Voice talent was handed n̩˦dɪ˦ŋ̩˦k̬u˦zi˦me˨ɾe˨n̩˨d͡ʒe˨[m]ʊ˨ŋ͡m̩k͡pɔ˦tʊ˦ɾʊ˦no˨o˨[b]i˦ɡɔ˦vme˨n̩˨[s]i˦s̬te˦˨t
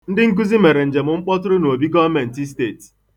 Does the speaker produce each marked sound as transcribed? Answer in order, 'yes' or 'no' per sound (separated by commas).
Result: yes, yes, no